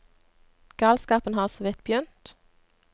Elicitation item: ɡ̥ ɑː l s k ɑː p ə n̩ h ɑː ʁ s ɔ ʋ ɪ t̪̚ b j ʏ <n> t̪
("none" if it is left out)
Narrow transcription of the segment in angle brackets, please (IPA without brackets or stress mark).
n